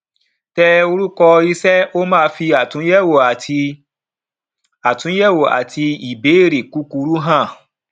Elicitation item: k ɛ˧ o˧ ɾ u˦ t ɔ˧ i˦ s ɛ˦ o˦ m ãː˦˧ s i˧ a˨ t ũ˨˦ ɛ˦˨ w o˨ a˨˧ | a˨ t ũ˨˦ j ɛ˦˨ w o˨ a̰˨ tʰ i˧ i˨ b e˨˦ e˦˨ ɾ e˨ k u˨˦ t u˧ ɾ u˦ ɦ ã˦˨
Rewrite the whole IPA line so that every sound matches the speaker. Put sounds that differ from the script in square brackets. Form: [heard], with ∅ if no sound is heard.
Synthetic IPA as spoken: [t] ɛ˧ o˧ ɾ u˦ [k] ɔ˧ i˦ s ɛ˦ o˦ m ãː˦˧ [f] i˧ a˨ t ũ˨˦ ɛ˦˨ w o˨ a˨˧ | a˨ t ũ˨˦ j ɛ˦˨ w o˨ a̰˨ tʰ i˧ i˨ b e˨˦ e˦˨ ɾ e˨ k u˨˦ [k] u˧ ɾ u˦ ɦ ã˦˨